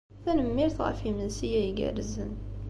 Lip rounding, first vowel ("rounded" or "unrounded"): unrounded